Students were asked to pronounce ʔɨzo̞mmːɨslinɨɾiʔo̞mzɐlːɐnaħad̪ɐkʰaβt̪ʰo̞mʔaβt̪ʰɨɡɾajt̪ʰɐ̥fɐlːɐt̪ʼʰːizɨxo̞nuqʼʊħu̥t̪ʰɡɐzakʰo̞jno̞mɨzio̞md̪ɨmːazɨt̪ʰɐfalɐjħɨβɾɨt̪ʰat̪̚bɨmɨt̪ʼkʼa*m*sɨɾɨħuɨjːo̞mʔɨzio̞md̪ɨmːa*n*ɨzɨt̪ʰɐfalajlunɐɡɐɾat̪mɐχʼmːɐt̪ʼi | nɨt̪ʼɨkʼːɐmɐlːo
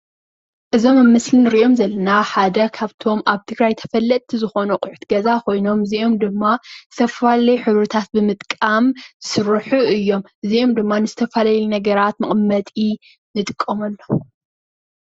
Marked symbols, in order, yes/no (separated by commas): yes, yes